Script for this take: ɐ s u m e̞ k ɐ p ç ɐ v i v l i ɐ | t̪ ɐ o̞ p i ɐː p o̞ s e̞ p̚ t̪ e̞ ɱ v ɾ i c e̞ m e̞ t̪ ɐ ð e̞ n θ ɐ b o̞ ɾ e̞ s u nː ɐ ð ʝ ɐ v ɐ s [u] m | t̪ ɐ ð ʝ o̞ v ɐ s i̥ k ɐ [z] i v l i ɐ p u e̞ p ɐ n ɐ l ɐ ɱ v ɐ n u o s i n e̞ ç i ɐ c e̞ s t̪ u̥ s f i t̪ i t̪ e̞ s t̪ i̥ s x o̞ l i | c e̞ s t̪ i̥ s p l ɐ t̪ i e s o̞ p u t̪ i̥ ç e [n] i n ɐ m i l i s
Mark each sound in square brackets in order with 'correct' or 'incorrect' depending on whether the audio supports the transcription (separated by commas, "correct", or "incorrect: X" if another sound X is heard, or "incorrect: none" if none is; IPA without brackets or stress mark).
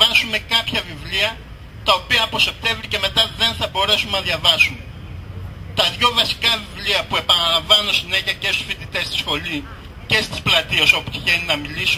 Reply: correct, incorrect: v, correct